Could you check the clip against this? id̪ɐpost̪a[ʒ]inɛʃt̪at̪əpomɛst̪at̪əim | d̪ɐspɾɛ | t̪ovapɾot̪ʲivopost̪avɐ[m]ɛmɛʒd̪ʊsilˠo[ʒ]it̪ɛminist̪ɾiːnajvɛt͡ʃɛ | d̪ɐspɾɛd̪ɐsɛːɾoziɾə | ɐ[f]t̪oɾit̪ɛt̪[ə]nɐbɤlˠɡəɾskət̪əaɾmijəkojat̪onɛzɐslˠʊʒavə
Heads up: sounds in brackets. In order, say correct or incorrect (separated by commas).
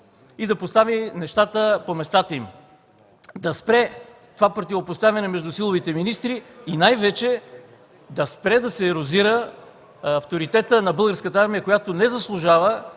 incorrect, incorrect, incorrect, correct, correct